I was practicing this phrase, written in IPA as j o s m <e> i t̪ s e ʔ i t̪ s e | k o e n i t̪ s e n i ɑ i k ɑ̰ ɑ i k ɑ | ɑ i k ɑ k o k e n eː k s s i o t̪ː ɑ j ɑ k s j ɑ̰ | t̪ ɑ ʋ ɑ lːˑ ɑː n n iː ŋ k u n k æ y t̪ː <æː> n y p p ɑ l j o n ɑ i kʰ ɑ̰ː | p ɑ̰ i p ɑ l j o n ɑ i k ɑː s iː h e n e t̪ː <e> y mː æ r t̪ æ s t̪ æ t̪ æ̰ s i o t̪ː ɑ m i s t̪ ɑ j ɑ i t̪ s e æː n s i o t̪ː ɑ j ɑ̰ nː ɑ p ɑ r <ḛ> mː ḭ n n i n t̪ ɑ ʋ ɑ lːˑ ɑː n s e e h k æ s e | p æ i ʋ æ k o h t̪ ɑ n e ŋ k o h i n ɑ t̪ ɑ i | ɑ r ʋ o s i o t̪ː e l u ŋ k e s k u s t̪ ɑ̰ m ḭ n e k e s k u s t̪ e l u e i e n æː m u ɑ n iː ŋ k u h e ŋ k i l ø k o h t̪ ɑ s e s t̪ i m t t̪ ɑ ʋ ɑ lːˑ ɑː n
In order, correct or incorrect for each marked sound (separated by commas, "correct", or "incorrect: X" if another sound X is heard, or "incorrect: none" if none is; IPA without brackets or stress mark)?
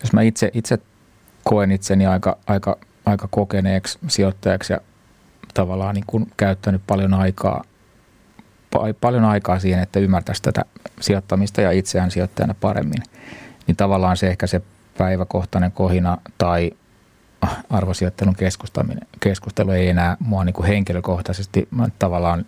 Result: incorrect: æ, incorrect: æ, incorrect: æ, correct